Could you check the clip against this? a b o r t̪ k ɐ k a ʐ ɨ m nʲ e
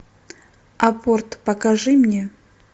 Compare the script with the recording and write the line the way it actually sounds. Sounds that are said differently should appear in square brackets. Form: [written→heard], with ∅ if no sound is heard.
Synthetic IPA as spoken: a [b→p] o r t̪ [k→p] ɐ k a ʐ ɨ m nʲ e